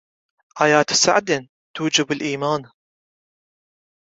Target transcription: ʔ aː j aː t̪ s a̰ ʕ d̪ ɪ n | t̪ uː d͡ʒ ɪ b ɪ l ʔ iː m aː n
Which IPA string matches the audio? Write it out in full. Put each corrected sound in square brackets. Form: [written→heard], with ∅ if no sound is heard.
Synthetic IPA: ʔ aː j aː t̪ s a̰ ʕ d̪ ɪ n | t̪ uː d͡ʒ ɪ b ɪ l ʔ iː m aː n